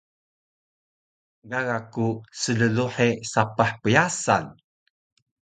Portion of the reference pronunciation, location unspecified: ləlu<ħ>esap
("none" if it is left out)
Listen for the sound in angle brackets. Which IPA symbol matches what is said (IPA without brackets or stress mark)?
ħ